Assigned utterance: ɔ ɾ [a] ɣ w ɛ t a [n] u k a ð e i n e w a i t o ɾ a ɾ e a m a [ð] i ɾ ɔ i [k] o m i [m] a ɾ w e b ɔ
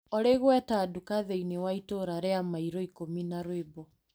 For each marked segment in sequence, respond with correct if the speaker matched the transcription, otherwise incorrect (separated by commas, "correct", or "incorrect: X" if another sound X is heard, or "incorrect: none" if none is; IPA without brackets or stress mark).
incorrect: e, incorrect: d, incorrect: none, correct, incorrect: n